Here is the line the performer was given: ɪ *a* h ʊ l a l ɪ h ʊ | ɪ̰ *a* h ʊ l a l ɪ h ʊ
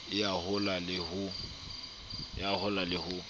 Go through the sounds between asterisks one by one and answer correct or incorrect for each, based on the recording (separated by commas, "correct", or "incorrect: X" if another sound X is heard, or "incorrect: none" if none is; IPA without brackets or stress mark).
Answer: correct, correct